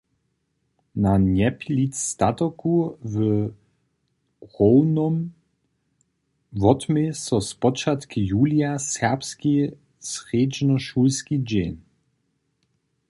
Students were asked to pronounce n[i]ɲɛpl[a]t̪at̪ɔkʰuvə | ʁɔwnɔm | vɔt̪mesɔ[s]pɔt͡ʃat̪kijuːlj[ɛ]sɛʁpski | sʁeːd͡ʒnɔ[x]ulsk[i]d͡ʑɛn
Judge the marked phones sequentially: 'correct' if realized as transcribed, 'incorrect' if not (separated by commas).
incorrect, incorrect, correct, incorrect, incorrect, correct